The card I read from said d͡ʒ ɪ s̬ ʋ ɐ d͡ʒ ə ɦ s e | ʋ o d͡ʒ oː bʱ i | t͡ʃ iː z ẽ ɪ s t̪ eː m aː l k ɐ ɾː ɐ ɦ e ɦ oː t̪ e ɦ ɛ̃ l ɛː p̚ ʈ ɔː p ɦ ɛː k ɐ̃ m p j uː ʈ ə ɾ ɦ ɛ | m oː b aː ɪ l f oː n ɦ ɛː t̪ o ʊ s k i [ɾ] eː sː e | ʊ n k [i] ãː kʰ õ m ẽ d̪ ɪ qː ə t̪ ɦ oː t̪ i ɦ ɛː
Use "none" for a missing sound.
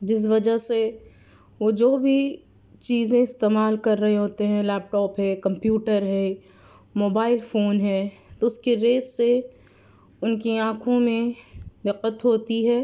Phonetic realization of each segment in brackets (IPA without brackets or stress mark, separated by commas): ɾ, i